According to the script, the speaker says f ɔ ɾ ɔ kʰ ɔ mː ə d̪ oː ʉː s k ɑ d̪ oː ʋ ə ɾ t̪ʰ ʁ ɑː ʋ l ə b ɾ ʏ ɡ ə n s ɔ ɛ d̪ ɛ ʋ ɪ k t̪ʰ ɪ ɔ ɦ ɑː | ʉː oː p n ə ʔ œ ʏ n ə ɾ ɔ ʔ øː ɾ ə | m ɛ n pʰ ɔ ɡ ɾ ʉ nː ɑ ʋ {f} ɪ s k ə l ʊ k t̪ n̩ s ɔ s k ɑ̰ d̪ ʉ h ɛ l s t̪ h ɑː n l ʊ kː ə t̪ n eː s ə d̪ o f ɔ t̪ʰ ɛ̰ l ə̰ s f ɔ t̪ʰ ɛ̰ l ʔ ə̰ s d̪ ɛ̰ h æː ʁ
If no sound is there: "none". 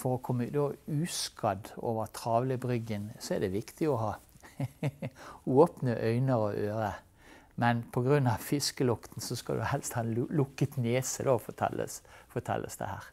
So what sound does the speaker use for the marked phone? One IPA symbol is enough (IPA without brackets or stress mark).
f